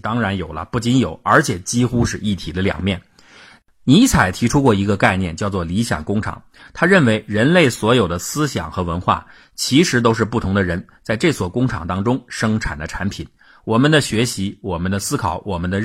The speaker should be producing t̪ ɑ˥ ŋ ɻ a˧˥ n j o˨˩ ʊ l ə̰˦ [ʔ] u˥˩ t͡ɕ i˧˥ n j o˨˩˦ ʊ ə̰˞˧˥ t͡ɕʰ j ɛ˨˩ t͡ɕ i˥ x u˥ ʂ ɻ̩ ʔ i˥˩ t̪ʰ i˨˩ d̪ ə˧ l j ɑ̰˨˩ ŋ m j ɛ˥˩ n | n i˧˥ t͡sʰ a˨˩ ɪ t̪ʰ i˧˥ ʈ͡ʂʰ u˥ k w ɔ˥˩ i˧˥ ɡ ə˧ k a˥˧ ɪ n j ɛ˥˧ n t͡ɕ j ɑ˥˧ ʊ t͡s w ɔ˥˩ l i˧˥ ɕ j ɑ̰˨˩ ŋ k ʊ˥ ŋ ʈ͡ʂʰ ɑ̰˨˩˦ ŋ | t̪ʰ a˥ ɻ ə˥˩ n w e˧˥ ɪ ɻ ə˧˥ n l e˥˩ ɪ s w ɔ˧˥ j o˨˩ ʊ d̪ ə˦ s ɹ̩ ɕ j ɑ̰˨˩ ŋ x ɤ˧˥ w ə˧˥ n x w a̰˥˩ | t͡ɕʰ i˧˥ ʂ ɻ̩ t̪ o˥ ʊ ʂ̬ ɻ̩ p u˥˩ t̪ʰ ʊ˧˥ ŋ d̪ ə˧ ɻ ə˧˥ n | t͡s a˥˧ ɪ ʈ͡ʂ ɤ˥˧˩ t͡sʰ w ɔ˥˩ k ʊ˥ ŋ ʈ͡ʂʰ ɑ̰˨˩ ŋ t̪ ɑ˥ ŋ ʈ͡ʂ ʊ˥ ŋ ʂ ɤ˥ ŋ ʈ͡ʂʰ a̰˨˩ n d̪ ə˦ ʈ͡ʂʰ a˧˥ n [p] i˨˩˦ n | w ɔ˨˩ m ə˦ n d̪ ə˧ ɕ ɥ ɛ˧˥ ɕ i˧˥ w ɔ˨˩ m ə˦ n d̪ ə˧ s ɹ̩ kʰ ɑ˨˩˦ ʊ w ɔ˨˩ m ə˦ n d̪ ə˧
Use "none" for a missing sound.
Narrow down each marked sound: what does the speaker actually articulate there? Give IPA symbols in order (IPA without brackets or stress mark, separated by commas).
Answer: p, pʰ